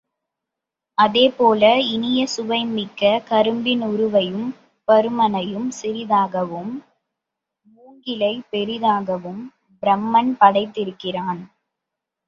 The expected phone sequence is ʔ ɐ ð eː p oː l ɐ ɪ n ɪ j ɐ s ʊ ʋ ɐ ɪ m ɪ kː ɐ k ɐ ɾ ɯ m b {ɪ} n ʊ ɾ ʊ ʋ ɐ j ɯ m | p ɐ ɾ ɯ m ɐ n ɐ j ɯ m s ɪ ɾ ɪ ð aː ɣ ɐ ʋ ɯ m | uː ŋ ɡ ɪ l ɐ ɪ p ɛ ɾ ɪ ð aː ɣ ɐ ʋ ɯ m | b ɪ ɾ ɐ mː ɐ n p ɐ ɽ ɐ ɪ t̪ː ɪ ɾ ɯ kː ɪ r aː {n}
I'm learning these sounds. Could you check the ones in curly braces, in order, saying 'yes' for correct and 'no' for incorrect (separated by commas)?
yes, yes